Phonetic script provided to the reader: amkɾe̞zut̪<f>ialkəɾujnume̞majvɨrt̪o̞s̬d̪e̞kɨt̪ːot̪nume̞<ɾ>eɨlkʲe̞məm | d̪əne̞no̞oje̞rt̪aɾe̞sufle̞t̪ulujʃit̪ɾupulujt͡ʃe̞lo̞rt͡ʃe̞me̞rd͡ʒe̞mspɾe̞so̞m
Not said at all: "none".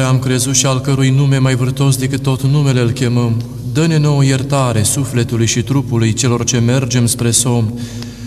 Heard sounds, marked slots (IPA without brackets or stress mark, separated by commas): ʃ, l